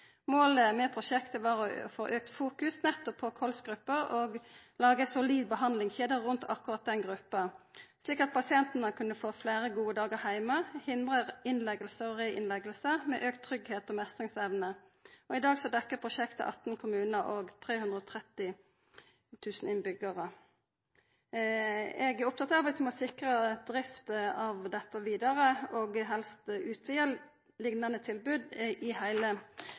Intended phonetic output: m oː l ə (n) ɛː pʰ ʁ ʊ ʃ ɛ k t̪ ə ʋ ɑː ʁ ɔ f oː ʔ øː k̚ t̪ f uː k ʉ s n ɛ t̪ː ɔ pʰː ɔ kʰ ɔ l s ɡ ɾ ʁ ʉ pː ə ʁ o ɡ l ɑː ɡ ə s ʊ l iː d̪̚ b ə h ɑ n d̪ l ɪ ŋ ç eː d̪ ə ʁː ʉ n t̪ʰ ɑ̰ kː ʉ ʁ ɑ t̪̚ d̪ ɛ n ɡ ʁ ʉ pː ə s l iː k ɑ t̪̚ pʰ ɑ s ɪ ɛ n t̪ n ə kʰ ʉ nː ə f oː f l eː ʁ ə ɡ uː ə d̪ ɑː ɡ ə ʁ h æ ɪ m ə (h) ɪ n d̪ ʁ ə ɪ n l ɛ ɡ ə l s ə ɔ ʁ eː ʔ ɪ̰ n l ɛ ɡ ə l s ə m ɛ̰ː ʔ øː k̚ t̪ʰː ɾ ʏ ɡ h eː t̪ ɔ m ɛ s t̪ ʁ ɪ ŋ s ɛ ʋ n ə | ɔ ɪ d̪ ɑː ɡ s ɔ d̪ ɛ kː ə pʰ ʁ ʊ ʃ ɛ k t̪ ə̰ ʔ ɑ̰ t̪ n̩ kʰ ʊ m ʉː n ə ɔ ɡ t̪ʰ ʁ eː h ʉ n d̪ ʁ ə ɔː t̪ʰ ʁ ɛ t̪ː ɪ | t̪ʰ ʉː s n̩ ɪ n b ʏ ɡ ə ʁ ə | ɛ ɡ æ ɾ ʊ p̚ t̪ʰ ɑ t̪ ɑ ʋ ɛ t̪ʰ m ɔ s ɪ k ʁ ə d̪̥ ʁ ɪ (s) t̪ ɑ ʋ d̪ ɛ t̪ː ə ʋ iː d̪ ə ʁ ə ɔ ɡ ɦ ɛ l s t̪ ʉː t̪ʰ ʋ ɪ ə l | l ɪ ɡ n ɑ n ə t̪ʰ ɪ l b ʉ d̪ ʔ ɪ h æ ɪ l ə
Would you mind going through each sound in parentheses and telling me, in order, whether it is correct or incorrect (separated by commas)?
incorrect, correct, incorrect